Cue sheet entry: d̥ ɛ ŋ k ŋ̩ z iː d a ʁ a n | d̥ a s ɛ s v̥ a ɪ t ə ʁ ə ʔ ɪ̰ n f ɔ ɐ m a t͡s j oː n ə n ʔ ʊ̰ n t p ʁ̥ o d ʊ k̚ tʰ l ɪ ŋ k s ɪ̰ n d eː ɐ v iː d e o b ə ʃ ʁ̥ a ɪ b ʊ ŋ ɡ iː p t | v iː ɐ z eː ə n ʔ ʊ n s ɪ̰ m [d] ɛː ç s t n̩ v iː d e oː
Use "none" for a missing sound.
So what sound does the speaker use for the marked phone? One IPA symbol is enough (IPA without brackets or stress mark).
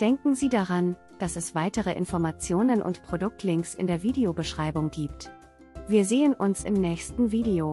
n